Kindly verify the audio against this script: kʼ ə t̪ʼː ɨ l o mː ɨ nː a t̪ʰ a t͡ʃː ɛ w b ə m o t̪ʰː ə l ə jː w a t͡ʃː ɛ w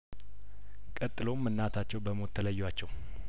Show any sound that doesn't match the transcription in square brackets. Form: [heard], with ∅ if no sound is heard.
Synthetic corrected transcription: kʼ ə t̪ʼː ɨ l o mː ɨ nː a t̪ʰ a t͡ʃː ɛ w b ə m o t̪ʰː ə l ə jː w a t͡ʃː ɛ w